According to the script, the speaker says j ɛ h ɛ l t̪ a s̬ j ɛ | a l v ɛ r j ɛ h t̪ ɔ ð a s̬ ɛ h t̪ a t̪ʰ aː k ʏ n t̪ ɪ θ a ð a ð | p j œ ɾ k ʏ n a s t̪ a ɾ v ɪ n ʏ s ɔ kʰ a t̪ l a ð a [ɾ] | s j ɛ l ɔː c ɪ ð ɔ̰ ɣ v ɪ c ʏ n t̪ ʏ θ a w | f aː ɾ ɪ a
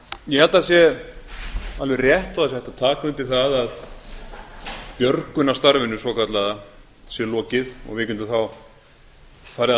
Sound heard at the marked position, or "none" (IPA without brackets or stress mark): none